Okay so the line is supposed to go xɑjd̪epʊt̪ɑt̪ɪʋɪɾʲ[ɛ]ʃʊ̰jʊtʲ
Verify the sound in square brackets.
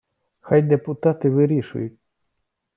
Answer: incorrect: i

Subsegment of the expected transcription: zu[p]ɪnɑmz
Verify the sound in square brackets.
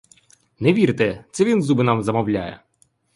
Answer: incorrect: b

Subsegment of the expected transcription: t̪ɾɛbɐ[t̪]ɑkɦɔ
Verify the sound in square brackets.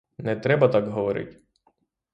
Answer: correct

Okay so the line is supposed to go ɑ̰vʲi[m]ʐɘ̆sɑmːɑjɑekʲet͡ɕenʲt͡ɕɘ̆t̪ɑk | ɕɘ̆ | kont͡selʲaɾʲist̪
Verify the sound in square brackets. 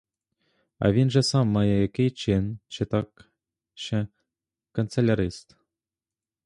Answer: incorrect: n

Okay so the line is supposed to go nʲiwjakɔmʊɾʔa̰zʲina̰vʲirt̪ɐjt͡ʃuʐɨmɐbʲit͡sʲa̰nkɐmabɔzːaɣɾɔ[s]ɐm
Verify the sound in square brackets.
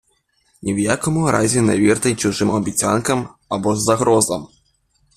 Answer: incorrect: z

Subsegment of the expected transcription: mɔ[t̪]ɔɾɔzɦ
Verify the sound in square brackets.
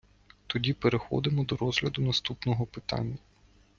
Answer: incorrect: d̪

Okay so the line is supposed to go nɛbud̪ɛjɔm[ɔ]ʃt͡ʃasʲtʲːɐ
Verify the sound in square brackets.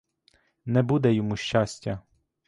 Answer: incorrect: u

